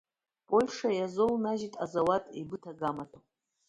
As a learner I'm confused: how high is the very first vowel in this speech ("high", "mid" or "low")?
mid